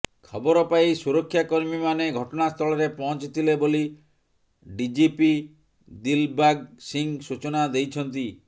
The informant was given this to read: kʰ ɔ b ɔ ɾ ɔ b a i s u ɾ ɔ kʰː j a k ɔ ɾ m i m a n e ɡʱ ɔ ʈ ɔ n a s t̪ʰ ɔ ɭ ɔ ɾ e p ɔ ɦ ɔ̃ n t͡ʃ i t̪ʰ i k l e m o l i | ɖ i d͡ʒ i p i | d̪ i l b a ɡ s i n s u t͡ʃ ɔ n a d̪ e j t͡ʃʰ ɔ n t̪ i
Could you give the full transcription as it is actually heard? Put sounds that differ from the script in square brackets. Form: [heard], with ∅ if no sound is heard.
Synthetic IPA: kʰ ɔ b ɔ ɾ ɔ [p] a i s u ɾ ɔ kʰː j a k ɔ ɾ m i m a n e ɡʱ ɔ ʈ ɔ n a s t̪ʰ ɔ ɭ ɔ ɾ e p ɔ ɦ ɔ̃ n t͡ʃ i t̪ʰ i [∅] l e [b] o l i | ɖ i d͡ʒ i p i | d̪ i l b a ɡ s i [ŋ] s u t͡ʃ ɔ n a d̪ e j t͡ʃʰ ɔ n t̪ i